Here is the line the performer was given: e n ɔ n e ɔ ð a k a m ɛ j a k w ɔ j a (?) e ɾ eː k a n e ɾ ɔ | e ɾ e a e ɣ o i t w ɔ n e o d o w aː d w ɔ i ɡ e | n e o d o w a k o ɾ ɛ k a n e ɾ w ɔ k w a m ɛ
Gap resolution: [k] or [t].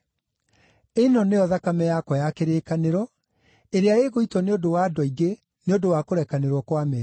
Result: k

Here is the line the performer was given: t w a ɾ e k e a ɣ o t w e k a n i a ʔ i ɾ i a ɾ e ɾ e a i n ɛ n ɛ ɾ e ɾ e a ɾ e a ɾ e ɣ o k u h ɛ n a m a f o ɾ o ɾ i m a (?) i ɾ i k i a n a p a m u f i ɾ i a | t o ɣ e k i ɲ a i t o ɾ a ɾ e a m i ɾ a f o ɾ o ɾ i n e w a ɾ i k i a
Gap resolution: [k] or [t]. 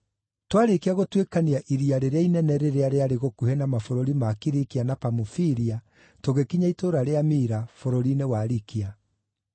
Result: k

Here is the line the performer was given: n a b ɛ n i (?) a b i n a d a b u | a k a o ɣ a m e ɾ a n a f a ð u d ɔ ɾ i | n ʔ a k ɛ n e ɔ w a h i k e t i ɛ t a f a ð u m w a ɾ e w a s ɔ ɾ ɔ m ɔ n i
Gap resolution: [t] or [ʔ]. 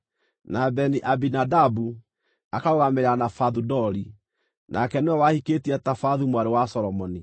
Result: ʔ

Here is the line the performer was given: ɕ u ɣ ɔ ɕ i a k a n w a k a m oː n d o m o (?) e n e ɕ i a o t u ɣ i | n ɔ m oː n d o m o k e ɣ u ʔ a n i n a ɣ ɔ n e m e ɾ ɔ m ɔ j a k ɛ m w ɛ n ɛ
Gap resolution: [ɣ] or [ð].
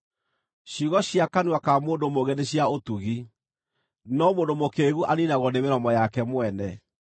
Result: ɣ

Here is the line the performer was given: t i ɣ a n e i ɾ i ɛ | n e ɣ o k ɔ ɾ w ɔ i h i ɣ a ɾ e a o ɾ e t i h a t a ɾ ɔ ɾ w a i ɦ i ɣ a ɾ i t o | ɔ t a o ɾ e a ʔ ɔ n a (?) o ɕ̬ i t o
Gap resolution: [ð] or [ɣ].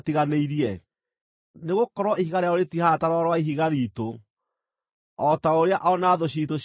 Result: ð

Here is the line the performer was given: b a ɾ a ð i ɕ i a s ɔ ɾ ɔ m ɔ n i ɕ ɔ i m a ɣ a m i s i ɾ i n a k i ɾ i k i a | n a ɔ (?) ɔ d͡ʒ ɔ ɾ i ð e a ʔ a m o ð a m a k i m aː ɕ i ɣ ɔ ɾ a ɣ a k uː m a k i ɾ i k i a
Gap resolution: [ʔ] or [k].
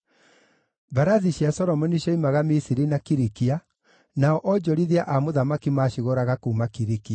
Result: ʔ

